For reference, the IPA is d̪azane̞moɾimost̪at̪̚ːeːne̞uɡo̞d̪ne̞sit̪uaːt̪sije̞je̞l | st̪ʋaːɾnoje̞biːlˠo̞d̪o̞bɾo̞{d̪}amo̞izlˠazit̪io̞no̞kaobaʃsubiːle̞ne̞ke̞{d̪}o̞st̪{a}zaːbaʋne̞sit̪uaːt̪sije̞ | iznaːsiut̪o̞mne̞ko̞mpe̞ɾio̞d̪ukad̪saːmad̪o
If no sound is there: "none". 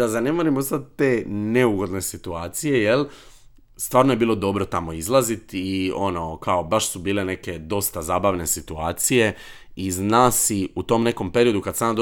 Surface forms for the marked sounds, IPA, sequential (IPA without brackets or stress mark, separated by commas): t̪, d̪, a